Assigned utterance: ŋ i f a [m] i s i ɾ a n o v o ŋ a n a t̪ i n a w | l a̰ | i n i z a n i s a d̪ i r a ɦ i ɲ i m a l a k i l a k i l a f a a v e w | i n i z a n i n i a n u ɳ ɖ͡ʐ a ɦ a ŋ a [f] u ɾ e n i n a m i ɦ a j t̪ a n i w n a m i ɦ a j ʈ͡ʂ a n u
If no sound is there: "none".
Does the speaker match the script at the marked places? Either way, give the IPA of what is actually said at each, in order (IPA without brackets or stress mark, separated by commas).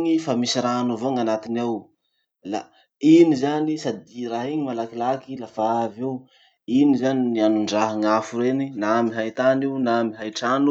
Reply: m, f